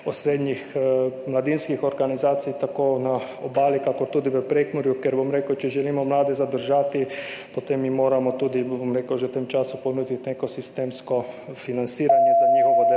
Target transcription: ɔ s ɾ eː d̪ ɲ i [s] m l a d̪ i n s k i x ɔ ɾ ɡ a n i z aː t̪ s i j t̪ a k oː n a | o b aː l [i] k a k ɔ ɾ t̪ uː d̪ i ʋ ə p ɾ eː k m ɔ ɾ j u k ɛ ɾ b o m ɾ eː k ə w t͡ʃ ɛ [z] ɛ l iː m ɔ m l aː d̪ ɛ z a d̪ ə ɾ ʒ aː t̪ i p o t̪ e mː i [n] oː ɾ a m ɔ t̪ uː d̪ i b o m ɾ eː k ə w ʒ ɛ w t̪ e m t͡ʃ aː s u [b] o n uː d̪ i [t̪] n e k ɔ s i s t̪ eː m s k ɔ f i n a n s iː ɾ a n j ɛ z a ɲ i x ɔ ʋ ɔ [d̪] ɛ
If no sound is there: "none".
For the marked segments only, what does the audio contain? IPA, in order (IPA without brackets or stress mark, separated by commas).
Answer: x, i, ʒ, m, p, t̪, d̪